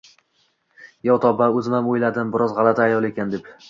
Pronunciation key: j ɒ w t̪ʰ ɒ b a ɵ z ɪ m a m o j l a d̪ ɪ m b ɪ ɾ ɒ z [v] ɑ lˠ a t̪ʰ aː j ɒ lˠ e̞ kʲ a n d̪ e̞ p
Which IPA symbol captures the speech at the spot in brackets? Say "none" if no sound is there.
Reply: ʁ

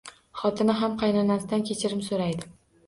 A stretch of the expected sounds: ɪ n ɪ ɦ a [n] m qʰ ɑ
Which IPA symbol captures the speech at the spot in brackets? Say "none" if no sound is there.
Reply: none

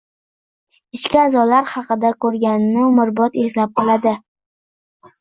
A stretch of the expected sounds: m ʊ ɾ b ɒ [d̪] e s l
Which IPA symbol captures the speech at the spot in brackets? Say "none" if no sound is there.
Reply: t̪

